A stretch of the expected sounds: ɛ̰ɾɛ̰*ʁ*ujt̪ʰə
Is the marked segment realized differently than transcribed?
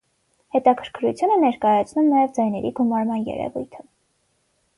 yes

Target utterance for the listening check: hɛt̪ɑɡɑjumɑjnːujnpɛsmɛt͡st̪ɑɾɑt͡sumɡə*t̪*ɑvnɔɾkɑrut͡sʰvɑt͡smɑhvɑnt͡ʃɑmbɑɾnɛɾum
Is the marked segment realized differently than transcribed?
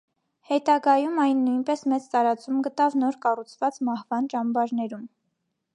no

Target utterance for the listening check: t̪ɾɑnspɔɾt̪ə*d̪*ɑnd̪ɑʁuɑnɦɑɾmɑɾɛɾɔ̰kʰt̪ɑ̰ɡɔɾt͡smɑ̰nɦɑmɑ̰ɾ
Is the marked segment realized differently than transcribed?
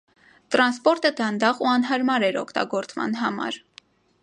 no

